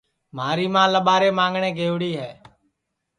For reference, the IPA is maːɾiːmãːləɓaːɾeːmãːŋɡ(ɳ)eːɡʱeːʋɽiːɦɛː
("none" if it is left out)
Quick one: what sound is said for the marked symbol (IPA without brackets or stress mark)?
ɳ